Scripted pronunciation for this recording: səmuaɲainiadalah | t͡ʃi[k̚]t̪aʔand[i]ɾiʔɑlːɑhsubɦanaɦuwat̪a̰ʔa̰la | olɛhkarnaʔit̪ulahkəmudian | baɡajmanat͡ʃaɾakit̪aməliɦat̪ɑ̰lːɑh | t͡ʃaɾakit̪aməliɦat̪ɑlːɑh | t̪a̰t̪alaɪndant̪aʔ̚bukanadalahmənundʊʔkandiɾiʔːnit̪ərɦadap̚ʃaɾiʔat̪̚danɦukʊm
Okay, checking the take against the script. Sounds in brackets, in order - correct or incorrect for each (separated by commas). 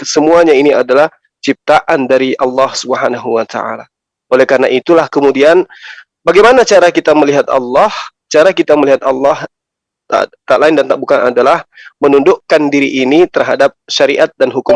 incorrect, incorrect